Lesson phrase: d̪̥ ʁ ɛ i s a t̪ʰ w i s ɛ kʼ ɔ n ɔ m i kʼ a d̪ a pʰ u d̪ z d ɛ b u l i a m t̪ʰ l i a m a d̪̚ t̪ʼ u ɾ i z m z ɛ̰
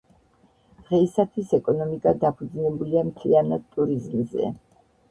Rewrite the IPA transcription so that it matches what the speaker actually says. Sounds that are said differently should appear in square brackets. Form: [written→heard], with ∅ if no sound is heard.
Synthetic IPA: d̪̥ ʁ ɛ i s a t̪ʰ w i s ɛ kʼ ɔ n ɔ m i kʼ a d̪ a pʰ u d̪ z [d→n] ɛ b u l i a m t̪ʰ l i a [m→n] a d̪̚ t̪ʼ u ɾ i z m z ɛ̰